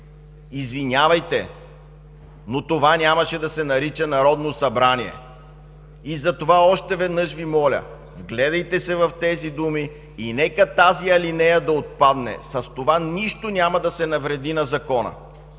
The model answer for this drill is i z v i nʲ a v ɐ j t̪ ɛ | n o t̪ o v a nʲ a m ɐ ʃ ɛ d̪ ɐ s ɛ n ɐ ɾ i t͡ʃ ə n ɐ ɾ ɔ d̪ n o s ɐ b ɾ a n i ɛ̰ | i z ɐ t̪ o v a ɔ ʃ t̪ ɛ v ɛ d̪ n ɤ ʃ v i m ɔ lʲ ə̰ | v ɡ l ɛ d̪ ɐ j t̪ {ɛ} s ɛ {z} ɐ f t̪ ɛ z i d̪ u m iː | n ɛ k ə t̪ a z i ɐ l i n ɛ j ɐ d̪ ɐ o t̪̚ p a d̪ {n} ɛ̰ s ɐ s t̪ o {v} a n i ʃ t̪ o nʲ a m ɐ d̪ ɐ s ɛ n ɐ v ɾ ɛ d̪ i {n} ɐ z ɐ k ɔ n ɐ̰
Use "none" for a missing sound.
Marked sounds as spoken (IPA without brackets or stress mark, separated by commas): ɛ, v, n, v, n